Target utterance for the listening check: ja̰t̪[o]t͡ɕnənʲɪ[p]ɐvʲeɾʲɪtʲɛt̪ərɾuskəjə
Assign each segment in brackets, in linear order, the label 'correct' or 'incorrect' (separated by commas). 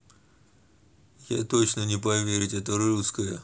correct, correct